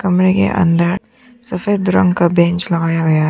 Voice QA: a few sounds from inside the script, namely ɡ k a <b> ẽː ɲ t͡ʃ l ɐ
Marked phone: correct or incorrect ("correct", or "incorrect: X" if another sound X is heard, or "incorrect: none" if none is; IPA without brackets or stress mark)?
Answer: correct